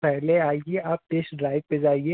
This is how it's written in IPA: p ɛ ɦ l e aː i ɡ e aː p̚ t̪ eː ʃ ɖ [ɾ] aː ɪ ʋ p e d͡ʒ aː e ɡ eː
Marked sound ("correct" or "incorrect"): correct